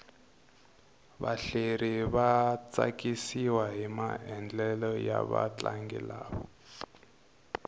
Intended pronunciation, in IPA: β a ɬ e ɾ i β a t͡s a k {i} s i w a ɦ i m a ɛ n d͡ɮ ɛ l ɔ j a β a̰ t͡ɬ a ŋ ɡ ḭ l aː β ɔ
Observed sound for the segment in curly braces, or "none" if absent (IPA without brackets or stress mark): i